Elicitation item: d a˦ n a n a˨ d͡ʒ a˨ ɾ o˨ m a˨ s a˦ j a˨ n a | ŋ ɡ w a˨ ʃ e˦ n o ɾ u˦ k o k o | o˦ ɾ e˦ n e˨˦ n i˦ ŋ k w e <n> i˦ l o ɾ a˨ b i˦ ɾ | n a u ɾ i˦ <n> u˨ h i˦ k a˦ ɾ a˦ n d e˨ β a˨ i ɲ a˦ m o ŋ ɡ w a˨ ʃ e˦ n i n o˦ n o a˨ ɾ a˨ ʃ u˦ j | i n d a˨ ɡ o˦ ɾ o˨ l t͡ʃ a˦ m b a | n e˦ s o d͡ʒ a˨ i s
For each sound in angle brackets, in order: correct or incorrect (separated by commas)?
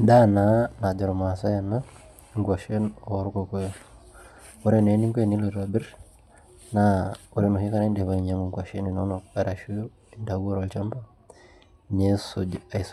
correct, correct